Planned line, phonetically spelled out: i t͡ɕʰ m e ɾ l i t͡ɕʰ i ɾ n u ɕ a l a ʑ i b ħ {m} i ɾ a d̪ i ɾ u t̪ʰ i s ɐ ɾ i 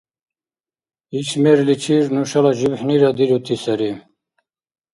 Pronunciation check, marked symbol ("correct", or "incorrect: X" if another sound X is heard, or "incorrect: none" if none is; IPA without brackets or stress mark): incorrect: n